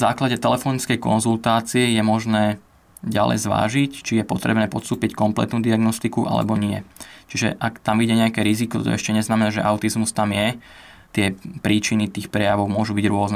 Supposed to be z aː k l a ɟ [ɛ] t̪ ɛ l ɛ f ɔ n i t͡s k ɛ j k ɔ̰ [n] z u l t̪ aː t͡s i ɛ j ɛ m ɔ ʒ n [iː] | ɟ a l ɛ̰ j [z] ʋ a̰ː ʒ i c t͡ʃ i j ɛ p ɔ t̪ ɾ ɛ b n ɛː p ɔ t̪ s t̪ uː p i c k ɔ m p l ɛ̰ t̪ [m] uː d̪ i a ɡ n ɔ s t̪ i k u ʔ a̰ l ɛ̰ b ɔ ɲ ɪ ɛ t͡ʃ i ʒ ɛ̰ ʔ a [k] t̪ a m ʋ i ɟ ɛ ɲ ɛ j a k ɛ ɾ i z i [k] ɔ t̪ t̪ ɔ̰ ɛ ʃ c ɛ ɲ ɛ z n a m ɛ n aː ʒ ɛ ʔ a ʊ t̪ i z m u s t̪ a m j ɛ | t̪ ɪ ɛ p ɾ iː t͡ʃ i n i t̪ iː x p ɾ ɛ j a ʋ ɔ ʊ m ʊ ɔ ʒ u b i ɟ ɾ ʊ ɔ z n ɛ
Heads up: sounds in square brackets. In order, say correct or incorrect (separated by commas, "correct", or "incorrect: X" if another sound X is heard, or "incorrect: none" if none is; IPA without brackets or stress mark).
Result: correct, correct, incorrect: ɛː, correct, incorrect: n, correct, correct